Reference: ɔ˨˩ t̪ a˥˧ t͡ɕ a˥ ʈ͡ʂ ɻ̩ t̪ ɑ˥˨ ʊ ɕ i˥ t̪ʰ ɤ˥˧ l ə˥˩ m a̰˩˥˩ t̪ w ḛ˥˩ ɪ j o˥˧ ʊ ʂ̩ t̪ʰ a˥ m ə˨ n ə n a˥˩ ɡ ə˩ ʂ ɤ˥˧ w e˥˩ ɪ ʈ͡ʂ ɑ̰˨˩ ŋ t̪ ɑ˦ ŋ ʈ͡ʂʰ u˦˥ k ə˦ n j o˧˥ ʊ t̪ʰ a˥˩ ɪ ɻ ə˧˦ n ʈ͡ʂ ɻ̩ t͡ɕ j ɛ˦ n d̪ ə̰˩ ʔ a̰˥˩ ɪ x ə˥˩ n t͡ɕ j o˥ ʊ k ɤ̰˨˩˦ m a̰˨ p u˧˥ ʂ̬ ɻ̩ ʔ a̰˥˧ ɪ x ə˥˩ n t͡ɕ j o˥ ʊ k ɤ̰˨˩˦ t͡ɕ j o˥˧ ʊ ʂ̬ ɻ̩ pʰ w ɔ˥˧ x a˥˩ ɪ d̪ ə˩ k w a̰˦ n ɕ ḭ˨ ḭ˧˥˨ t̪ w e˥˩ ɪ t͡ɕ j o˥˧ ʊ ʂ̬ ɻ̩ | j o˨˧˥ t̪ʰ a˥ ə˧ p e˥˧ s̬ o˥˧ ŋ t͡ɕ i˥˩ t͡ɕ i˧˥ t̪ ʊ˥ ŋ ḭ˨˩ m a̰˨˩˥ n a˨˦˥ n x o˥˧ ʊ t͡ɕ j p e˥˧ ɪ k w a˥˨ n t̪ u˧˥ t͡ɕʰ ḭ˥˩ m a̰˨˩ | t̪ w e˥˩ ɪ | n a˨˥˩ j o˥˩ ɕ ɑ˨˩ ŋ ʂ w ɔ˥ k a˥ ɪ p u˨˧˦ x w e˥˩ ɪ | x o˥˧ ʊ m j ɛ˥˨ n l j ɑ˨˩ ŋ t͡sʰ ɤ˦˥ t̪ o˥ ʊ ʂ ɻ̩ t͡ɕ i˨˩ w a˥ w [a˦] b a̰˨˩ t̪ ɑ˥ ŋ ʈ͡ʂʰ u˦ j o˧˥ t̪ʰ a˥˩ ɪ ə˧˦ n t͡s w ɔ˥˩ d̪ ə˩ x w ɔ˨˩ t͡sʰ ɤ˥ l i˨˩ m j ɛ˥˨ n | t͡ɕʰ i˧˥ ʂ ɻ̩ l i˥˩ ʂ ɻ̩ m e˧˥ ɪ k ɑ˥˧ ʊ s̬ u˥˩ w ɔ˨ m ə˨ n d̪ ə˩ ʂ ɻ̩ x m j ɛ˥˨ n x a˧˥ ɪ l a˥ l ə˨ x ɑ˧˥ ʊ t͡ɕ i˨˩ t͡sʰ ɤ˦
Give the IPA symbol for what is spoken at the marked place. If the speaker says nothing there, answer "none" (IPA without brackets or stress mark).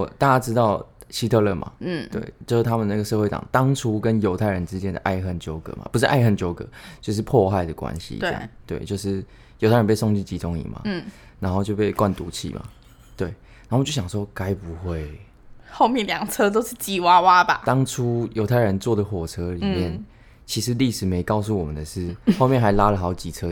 a˦